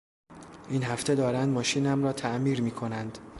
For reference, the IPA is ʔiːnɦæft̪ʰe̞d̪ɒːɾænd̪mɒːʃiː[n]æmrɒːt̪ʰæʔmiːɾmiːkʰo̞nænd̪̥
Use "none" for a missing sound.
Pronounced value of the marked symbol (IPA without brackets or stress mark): n